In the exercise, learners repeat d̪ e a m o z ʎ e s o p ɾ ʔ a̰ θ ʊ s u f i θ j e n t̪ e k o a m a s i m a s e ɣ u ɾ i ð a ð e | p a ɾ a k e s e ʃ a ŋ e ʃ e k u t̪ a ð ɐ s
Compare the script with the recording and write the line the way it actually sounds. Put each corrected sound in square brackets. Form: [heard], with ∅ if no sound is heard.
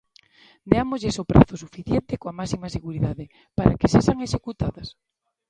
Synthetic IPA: d̪ e a m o z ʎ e s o p ɾ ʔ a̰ θ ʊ s u f i θ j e n t̪ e k o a m a s i m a s e ɣ u ɾ i ð a ð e | p a ɾ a k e s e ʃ a ŋ e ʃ e k u t̪ a ð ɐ s

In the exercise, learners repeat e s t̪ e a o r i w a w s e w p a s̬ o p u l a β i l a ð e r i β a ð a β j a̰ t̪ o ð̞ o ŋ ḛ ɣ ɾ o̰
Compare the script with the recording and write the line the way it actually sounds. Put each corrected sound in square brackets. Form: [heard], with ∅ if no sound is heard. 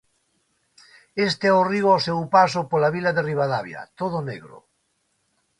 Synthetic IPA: e s t̪ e [ɛ] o r i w a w s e w p a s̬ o p [o] l a β i l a ð e r i β a ð a β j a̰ t̪ o ð̞ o [n] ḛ ɣ ɾ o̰

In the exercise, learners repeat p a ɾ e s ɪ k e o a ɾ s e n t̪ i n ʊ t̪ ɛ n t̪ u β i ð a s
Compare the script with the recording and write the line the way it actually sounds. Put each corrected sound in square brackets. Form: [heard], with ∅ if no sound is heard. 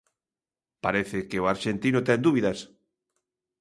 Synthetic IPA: p a ɾ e [θ] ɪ k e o a ɾ [ʃ] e n t̪ i n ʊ t̪ ɛ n [d̪] u β i ð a s

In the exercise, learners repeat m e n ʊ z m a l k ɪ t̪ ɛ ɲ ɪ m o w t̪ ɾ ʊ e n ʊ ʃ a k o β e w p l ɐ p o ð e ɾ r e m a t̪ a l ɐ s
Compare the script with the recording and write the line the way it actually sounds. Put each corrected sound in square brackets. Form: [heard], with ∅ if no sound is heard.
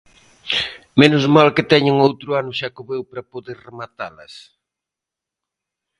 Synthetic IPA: m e n ʊ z m a l k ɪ t̪ ɛ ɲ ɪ [ŋ] o w t̪ ɾ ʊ [a] n ʊ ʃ a k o β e w p [ɾ] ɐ p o ð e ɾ r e m a t̪ a l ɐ s

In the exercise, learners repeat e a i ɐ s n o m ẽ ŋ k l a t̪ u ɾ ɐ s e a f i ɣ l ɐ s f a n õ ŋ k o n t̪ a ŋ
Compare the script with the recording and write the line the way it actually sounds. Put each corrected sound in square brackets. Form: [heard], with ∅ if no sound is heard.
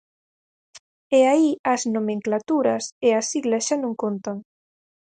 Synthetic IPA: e a i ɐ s n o m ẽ ŋ k l a t̪ u ɾ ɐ s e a [s] i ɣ l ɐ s [ʃ] a n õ ŋ k o n t̪ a ŋ

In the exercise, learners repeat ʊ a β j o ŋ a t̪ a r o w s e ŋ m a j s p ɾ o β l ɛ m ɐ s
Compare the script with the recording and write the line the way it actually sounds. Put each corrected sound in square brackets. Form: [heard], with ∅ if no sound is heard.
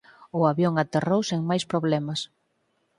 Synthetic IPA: ʊ a β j o ŋ a t̪ [e] r o w s e ŋ m a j s p ɾ o β l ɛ m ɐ s

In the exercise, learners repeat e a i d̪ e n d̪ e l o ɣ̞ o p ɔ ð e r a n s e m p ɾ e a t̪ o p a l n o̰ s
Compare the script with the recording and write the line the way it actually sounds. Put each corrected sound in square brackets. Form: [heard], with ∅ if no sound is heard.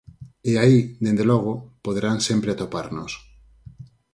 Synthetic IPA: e a i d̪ e n d̪ e l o ɣ̞ o p [o] ð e [ɾ] a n s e m p ɾ e a t̪ o p a [ɾ] n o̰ s

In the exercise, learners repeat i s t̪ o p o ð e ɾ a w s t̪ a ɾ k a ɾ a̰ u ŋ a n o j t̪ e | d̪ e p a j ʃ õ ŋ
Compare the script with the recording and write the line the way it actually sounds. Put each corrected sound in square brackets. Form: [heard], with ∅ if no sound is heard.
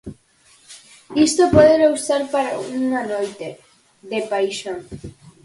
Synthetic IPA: i s t̪ o p o ð e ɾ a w s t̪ a ɾ [p] a ɾ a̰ u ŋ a n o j t̪ e | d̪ e p a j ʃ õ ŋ

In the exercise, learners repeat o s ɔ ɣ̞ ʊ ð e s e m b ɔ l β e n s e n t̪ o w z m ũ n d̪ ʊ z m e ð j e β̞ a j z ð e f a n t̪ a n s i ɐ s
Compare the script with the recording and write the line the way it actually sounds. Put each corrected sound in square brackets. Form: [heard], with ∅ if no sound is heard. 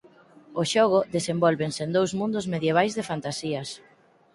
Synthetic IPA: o [ʃ] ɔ ɣ̞ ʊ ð e s e m b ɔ l β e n s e n [d̪] o w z m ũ n d̪ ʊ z m e ð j e β̞ a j z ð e f a n t̪ a [∅] s i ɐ s

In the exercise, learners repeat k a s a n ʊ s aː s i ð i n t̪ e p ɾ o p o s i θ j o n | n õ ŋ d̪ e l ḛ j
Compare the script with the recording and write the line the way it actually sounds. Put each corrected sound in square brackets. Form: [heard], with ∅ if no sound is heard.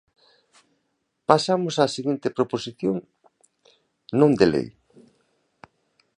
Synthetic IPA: [p] a s a [m] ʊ s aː s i [ɣ] i n t̪ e p ɾ o p o s i θ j o [ŋ] | n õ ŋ d̪ e l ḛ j

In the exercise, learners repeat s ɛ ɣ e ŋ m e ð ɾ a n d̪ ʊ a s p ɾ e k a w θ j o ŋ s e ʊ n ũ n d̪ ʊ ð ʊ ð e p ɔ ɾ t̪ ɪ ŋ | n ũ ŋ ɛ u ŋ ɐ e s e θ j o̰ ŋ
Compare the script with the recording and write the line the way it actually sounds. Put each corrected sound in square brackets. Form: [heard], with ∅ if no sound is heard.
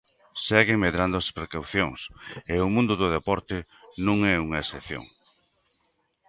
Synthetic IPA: s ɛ ɣ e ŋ m e ð ɾ a n d̪ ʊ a s p ɾ e k a w θ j o ŋ s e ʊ [m] ũ n d̪ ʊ ð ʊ ð e p ɔ ɾ t̪ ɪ [∅] | n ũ ŋ ɛ u ŋ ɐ e s e θ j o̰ ŋ

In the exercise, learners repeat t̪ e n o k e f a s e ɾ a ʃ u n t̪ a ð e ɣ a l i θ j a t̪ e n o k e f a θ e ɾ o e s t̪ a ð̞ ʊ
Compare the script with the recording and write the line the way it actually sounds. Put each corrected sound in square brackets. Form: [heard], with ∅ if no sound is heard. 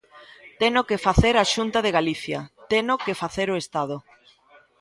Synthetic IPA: t̪ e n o k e f a [θ] e ɾ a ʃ u n t̪ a ð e ɣ a l i θ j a t̪ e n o k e f a θ e ɾ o e s t̪ a ð̞ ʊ

